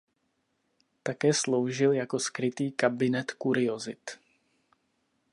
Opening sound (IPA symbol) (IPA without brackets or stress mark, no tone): t̪